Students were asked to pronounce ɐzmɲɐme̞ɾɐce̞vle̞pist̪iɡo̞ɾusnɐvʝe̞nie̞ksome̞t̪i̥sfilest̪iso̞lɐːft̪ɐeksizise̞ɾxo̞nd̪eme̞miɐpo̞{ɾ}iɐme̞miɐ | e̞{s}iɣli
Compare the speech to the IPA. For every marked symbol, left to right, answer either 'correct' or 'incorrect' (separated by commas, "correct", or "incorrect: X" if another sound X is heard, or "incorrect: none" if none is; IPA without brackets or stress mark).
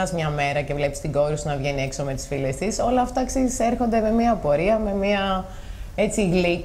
correct, incorrect: t͡s